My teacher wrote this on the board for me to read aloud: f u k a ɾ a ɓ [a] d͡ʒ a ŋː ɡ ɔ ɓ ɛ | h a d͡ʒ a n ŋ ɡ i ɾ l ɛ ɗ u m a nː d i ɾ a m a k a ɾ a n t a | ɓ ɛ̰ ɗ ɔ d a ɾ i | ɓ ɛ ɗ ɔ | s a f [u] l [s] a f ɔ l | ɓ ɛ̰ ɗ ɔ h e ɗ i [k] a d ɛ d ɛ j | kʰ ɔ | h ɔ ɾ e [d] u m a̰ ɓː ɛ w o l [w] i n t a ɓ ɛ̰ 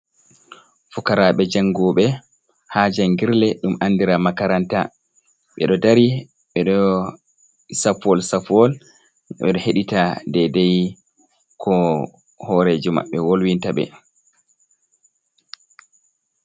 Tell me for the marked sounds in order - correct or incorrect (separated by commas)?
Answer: incorrect, incorrect, correct, incorrect, incorrect, correct